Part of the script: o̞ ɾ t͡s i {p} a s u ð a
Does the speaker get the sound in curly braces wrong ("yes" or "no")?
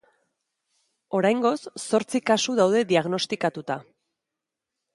yes